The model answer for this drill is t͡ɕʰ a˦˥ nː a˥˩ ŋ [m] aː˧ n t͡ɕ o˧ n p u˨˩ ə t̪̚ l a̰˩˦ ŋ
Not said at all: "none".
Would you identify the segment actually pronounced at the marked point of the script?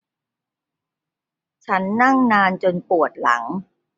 n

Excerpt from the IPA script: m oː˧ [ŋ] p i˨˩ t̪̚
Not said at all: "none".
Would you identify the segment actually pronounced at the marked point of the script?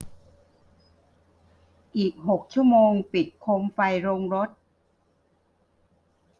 ŋ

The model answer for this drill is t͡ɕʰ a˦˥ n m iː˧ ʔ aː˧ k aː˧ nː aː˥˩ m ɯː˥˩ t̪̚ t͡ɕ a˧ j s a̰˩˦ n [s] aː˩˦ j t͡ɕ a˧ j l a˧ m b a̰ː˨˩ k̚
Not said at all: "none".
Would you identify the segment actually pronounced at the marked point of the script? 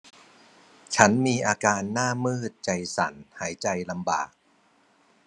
h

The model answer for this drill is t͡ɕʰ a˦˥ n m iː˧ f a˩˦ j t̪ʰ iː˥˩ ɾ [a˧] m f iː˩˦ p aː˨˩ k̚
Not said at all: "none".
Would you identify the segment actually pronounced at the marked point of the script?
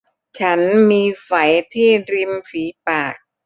i˧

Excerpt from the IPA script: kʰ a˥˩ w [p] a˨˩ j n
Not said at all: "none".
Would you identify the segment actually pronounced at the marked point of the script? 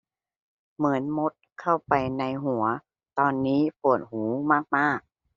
p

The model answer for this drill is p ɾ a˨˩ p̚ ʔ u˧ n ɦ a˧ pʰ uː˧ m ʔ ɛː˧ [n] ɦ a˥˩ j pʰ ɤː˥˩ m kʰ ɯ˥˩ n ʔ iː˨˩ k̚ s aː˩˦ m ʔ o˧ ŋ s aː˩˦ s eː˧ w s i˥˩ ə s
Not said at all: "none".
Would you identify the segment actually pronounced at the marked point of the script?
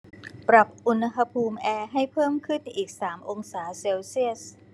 none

